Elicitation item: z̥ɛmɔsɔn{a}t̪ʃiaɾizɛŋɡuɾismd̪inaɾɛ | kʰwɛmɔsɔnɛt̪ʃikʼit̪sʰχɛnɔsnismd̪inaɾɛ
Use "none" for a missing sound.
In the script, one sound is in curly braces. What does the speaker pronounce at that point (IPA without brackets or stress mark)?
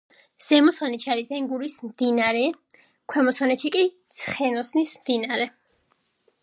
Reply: ɛ